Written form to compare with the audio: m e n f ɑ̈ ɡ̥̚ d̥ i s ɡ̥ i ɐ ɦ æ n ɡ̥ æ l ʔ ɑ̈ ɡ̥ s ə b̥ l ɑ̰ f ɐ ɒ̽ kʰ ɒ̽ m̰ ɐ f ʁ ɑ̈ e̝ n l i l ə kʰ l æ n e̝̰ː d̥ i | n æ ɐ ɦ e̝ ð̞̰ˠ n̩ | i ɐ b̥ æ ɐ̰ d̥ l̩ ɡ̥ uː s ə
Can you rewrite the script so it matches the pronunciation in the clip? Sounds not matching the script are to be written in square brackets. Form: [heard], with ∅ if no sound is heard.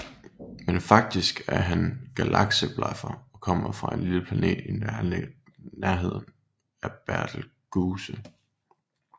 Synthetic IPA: m e n f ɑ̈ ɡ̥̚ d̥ i s ɡ̥ [æ] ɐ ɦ æ n ɡ̥ æ l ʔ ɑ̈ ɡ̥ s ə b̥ l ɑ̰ f ɐ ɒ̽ kʰ ɒ̽ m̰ ɐ f ʁ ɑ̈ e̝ n l i l ə [pʰ] l æ n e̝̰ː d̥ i | n æ ɐ ɦ e̝ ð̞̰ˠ n̩ | [æ] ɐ b̥ æ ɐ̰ d̥ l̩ ɡ̥ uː s ə